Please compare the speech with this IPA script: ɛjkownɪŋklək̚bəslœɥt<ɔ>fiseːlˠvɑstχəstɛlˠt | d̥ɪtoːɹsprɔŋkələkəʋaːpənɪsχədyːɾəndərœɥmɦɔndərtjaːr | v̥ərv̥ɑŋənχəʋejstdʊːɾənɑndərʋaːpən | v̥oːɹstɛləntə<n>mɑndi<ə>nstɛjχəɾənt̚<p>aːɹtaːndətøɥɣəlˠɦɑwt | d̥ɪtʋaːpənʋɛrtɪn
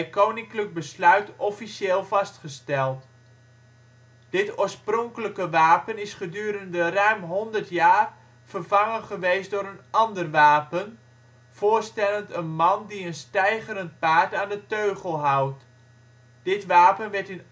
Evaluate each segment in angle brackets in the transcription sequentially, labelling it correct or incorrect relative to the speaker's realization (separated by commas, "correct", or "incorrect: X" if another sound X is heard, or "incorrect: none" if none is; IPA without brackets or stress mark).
correct, correct, correct, correct